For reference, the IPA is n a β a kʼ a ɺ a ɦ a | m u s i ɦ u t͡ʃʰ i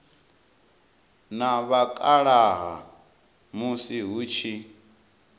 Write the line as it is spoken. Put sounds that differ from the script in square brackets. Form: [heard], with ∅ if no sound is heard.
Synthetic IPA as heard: n a β a kʼ a ɺ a ɦ a | m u s i ɦ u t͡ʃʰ i